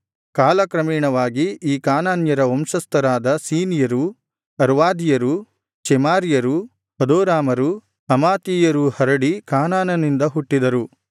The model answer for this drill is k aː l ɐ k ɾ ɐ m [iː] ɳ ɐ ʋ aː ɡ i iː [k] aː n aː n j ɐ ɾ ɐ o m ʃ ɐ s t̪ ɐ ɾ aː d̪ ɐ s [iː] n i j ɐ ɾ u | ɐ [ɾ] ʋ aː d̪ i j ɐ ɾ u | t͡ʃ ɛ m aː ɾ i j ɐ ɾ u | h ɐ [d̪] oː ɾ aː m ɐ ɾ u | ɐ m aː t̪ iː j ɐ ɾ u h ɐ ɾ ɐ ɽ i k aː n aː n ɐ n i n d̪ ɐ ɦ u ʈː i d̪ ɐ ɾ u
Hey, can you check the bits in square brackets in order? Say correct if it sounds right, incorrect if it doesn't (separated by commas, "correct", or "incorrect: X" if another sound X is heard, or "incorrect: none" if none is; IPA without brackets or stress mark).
correct, correct, correct, correct, correct